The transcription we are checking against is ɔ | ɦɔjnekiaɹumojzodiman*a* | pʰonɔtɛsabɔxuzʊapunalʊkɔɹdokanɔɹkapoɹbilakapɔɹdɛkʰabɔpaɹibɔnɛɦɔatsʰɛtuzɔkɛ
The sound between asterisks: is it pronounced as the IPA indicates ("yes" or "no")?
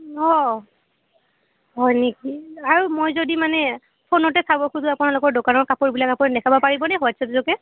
no